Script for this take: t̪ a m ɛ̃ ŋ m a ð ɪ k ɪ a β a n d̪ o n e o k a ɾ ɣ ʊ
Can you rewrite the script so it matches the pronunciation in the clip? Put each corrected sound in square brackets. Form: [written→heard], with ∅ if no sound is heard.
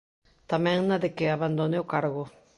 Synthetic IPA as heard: t̪ a m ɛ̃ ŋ [m→n] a ð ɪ k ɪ a β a n d̪ o n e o k a ɾ ɣ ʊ